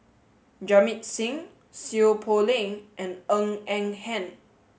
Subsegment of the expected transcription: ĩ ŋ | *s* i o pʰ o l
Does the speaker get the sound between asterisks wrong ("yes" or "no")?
no